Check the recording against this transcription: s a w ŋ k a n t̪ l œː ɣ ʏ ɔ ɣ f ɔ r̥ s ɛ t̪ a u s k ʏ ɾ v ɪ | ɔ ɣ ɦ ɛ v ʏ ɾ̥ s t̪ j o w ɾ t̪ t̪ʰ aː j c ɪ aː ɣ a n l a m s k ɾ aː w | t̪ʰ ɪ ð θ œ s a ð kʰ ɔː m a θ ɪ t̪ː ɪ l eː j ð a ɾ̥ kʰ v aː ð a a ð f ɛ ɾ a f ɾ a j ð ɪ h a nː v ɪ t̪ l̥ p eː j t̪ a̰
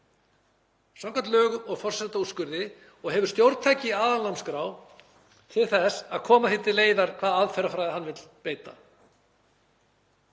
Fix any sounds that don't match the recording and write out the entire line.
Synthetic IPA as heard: s a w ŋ k a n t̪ l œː ɣ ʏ ɔ ɣ f ɔ r̥ s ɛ t̪ a u s k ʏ ɾ ð ɪ | ɔ ɣ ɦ ɛ v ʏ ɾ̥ s t̪ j o w ɾ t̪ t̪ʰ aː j c ɪ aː ð a n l a m s k ɾ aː w | t̪ʰ ɪ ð θ ɛ s a ð kʰ ɔː m a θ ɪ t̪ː ɪ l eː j ð a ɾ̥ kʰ v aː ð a a ð f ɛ ɾ a f ɾ a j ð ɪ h a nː v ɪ t̪ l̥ p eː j t̪ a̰